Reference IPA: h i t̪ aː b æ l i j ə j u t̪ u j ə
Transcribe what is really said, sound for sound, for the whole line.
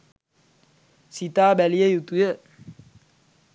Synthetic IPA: s i t̪ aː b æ l i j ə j u t̪ u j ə